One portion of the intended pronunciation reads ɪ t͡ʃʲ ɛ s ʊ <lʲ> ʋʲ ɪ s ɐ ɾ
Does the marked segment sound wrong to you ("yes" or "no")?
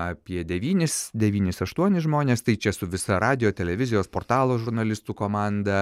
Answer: yes